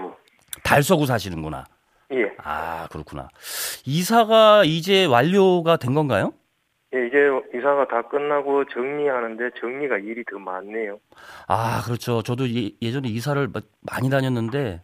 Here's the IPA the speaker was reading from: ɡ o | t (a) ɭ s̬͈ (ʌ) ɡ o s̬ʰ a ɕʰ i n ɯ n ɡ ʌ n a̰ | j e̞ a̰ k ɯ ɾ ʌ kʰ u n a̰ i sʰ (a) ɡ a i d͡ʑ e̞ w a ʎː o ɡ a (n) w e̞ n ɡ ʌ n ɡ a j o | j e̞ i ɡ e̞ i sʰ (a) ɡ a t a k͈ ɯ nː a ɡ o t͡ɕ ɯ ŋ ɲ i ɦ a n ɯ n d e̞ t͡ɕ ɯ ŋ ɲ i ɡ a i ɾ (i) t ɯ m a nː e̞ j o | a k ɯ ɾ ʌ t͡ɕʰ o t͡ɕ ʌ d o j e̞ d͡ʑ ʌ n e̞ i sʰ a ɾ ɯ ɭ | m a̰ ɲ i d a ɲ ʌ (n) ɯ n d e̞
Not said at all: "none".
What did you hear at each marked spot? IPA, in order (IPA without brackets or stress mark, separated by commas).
a, ʌ, a, d, a, i, nː